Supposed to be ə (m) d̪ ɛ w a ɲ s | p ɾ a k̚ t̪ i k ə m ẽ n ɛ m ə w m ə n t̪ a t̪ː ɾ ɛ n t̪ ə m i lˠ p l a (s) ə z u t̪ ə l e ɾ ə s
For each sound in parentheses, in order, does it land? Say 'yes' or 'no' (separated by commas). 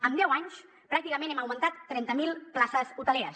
yes, yes